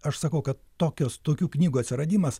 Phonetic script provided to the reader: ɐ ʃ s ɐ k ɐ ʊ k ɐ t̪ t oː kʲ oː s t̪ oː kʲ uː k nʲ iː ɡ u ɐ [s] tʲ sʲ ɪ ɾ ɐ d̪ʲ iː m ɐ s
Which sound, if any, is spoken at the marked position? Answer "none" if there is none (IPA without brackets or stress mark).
none